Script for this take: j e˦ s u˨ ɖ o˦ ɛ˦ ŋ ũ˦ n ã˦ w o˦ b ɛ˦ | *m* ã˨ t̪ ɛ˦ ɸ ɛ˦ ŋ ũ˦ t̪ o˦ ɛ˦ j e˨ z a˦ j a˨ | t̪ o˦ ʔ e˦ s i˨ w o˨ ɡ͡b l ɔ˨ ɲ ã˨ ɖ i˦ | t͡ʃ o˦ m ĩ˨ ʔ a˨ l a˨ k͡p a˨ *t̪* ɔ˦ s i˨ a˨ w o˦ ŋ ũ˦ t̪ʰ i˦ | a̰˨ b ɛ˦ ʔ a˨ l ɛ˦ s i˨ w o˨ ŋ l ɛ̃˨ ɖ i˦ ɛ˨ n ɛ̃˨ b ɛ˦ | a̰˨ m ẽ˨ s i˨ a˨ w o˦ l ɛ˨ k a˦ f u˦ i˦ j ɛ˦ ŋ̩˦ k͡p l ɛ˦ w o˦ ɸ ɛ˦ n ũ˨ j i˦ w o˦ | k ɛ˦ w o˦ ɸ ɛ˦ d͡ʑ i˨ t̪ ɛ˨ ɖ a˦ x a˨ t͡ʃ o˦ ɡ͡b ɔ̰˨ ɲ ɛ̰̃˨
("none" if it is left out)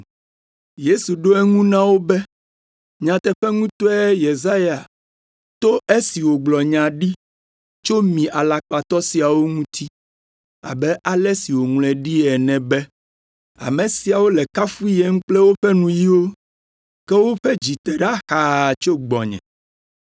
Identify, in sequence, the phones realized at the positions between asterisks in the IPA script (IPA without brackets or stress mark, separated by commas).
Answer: ɲ, t̪